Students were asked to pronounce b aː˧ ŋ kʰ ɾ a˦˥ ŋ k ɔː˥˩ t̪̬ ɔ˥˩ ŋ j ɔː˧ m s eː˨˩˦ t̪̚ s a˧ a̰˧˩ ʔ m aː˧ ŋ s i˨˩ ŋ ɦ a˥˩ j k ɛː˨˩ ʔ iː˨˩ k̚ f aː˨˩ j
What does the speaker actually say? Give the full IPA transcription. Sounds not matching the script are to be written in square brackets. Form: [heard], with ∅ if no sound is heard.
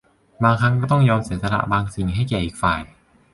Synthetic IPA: b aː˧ ŋ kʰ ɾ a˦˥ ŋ k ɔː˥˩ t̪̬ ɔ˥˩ ŋ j ɔː˧ m s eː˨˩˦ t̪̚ s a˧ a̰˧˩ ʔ [b] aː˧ ŋ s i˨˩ ŋ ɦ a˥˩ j k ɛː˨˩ ʔ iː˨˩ k̚ f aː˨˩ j

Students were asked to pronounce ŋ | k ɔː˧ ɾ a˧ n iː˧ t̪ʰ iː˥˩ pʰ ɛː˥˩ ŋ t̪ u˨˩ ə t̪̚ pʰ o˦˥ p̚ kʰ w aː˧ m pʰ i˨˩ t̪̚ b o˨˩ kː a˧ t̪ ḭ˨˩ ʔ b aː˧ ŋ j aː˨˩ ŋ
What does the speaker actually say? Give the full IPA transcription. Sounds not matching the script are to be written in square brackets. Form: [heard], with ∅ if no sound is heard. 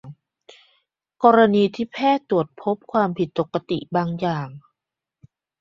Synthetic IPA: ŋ | k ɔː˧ ɾ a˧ n iː˧ t̪ʰ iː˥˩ pʰ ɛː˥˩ [∅] t̪ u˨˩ ə t̪̚ pʰ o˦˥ p̚ kʰ w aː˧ m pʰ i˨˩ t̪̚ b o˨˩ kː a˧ t̪ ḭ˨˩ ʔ b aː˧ ŋ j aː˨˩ ŋ

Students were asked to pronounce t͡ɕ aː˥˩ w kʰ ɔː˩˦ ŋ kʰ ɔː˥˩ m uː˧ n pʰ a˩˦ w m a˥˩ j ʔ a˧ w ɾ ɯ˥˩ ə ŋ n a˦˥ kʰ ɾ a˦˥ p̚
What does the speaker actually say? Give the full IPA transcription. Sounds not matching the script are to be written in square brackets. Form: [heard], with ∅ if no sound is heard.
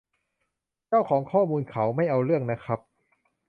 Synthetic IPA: t͡ɕ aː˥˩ w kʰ ɔː˩˦ ŋ kʰ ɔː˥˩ m uː˧ n [kʰ] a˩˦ w m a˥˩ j ʔ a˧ w ɾ ɯ˥˩ ə ŋ n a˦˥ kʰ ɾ a˦˥ p̚

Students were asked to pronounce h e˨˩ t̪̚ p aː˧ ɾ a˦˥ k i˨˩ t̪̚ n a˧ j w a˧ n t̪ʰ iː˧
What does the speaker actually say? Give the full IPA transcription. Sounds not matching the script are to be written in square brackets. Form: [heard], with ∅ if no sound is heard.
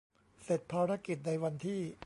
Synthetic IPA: [s] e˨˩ t̪̚ [pʰ] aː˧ ɾ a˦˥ k i˨˩ t̪̚ n a˧ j w a˧ n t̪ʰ [iː˥˩]

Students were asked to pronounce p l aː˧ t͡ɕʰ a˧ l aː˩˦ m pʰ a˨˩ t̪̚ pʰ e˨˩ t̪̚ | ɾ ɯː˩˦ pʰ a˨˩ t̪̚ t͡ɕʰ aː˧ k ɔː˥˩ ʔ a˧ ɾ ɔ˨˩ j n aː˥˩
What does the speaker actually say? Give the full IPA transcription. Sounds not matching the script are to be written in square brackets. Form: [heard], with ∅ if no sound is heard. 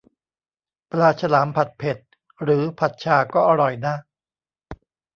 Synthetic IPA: p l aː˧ t͡ɕʰ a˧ l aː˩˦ m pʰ a˨˩ t̪̚ pʰ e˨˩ t̪̚ | ɾ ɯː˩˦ pʰ a˨˩ t̪̚ t͡ɕʰ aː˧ k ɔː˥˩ ʔ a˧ ɾ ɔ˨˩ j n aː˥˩

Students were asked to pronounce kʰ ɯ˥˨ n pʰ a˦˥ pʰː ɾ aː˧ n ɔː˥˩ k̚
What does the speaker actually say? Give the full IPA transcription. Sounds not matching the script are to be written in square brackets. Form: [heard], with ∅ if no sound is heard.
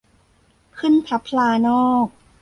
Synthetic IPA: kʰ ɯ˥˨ n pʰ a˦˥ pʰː [l] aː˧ n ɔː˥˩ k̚

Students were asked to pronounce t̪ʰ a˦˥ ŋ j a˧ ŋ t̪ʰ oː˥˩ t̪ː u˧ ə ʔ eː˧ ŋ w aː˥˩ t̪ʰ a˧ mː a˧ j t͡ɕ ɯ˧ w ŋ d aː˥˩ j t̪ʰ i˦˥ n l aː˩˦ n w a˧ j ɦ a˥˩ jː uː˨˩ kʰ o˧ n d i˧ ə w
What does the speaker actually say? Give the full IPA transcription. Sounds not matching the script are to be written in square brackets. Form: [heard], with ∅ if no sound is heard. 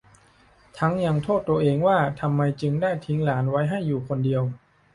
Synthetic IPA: t̪ʰ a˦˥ ŋ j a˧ ŋ t̪ʰ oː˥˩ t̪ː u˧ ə ʔ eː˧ ŋ w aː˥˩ t̪ʰ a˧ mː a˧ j t͡ɕ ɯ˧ [∅] ŋ d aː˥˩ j t̪ʰ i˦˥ [ŋ] l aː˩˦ n w [a˦˥] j ɦ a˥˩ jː uː˨˩ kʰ o˧ n d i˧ ə w

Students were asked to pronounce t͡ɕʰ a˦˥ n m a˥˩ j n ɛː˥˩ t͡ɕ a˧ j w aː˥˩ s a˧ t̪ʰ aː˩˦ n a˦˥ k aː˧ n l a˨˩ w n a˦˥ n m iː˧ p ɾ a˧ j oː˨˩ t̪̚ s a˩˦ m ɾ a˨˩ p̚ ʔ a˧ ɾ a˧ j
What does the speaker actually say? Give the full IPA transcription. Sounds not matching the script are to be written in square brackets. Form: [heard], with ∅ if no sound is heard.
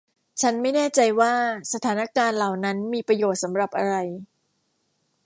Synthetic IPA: t͡ɕʰ a˦˥ n m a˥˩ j n ɛː˥˩ t͡ɕ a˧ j w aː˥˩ s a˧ t̪ʰ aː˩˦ n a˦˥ k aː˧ n l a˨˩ w n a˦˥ n m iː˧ p ɾ a˧ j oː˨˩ t̪̚ s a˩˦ m ɾ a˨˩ p̚ ʔ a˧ ɾ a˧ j

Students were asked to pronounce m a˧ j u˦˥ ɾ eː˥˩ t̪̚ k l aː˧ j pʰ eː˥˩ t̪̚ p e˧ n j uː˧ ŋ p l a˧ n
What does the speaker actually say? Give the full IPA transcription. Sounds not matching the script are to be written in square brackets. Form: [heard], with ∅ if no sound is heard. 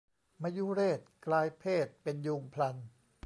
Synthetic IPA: m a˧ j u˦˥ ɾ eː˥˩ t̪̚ k l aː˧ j pʰ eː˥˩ t̪̚ p e˧ n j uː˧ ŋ [pʰ] l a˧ n

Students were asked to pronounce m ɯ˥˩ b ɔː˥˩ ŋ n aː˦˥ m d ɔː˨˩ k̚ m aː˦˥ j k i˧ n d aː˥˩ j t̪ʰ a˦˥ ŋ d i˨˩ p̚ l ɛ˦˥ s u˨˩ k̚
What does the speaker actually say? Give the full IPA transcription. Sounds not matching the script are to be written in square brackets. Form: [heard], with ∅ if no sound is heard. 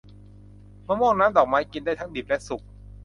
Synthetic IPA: m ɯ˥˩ [m] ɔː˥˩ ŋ n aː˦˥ m d ɔː˨˩ k̚ m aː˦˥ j k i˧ n d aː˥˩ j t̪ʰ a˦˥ ŋ d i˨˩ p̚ l ɛ˦˥ s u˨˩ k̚

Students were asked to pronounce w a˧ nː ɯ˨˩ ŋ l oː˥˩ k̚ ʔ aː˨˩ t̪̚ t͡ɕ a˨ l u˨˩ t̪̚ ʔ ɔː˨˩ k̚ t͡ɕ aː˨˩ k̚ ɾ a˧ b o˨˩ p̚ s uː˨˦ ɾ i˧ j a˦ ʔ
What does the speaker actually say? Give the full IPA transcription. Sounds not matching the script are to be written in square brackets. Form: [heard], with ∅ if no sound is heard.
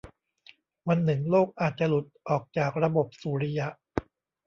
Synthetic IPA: w a˧ nː ɯ˨˩ ŋ l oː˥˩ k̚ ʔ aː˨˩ t̪̚ t͡ɕ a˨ l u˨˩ t̪̚ ʔ ɔː˨˩ k̚ t͡ɕ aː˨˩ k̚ ɾ a˧ b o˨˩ p̚ s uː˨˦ ɾ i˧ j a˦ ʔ

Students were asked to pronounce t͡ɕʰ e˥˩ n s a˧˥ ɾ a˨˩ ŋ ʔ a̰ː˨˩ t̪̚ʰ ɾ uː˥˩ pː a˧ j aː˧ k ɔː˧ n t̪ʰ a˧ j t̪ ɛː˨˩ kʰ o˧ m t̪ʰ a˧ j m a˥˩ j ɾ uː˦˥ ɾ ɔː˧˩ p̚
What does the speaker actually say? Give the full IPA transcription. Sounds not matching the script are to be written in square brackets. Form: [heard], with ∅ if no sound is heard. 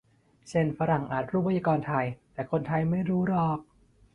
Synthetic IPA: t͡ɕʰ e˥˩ n [f] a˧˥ ɾ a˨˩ ŋ ʔ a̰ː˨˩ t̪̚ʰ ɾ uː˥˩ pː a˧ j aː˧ k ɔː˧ n t̪ʰ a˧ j t̪ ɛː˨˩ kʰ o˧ [n] t̪ʰ a˧ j m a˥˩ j ɾ uː˦˥ ɾ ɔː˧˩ [k̚]

